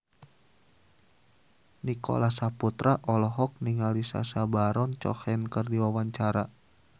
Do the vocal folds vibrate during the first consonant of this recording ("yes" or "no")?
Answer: yes